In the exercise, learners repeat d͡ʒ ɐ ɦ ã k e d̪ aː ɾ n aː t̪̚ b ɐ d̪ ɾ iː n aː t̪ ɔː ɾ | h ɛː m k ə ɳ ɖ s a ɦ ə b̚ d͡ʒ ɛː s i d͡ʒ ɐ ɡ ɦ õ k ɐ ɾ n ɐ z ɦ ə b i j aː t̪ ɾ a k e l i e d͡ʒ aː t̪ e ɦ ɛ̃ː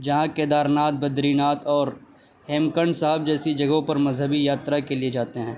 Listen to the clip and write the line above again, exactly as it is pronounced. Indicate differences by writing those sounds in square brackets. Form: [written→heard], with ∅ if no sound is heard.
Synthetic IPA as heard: d͡ʒ ɐ ɦ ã k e d̪ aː ɾ n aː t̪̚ b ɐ d̪ ɾ iː n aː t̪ ɔː ɾ | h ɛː m k ə ɳ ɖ s a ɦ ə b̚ d͡ʒ ɛː s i d͡ʒ ɐ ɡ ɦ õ [k→p] ɐ ɾ [n→m] ɐ z ɦ ə b i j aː t̪ ɾ a k e l i e d͡ʒ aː t̪ e ɦ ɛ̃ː